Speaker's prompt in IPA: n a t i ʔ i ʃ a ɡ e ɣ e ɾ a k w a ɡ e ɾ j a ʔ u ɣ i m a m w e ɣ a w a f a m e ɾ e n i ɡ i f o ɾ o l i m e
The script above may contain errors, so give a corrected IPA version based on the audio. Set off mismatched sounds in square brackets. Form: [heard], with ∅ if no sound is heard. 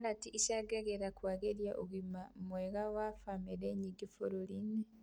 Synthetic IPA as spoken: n a t i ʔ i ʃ a ɡ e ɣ e ɾ a k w a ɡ e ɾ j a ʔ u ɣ i m a m w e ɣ a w a f a m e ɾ e [ɲ] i ɡ i f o ɾ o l i [n] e